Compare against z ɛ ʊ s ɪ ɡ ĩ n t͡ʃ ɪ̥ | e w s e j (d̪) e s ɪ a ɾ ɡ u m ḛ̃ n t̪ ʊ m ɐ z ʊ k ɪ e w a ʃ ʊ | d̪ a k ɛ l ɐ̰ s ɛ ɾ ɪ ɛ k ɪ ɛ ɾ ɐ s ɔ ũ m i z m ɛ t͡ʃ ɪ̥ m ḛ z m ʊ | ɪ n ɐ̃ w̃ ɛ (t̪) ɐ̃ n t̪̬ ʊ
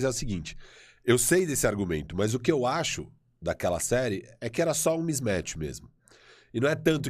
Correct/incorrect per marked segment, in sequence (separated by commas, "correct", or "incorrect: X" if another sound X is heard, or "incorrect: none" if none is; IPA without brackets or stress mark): correct, correct